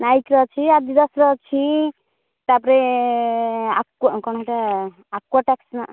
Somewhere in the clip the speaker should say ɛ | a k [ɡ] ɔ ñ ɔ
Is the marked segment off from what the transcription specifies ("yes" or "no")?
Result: yes